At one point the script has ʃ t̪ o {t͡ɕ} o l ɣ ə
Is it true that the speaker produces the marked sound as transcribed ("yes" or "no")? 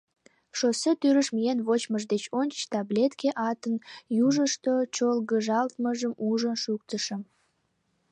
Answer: yes